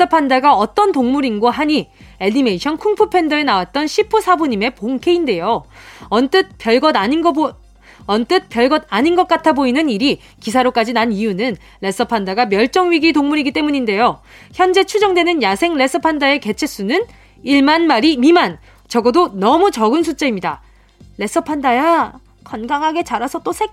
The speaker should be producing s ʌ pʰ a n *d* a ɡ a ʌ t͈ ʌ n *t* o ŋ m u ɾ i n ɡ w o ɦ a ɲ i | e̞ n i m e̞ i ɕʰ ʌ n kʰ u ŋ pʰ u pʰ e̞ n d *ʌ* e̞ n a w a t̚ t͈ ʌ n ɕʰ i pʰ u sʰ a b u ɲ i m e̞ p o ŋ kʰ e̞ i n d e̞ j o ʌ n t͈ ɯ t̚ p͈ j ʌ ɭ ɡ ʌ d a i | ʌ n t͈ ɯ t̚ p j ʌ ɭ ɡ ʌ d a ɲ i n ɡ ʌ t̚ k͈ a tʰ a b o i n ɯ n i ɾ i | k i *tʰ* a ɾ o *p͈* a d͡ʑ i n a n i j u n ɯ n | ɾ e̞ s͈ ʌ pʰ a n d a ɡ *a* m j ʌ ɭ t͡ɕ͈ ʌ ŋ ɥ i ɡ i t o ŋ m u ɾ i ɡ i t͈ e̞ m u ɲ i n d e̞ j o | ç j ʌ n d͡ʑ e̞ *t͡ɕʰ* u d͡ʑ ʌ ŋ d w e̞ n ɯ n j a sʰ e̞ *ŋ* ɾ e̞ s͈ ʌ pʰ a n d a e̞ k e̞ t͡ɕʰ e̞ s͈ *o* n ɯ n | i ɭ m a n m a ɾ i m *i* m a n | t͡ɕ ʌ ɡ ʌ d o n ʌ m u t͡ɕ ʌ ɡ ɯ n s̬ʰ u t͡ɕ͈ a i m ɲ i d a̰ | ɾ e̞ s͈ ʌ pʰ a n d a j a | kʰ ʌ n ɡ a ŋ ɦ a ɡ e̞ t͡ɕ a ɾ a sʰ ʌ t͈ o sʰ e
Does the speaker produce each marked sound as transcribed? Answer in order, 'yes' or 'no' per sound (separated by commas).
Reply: yes, yes, yes, no, no, yes, yes, yes, no, yes